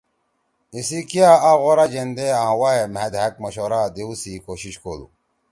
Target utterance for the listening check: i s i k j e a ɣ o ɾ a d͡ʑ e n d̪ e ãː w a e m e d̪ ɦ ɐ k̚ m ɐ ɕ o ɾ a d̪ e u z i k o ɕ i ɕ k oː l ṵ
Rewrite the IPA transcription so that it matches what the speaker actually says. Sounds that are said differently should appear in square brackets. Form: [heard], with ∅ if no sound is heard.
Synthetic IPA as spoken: i s i k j [a] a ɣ o ɾ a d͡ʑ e n d̪ e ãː w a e m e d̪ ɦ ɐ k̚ m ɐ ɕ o ɾ a d̪ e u [s] i k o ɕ i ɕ k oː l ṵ